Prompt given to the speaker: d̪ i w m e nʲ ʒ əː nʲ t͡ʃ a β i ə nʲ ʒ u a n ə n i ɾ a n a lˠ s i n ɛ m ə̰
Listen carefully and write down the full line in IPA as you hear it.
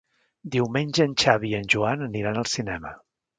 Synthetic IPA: d̪ i w m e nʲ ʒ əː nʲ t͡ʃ a β i ə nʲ ʒ u a n ə n i ɾ a n ə lˠ s i n ɛ m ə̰